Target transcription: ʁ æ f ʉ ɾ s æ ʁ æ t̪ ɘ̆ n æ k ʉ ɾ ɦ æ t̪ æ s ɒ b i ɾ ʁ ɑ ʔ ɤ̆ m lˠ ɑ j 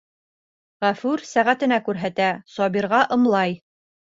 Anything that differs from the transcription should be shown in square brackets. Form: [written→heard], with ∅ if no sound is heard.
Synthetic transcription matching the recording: ʁ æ f ʉ ɾ s æ ʁ æ t̪ ɘ̆ n æ k ʉ ɾ ɦ æ t̪ æ s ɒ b i ɾ ʁ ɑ ʔ ɤ̆ m lˠ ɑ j